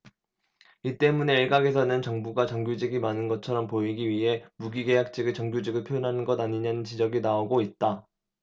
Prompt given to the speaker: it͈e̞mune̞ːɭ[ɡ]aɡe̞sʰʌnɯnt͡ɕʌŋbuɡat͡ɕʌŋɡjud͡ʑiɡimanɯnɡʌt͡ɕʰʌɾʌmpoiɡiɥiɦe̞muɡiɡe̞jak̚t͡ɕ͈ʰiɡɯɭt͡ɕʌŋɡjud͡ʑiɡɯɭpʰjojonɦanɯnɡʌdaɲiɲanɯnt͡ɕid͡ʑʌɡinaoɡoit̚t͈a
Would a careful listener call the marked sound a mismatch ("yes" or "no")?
no